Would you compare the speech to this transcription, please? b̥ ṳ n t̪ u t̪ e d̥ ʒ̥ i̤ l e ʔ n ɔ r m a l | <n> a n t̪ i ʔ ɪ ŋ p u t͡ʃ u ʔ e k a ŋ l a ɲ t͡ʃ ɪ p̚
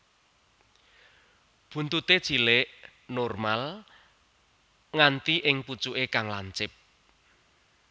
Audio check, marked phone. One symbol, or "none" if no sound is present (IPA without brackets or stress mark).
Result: ŋ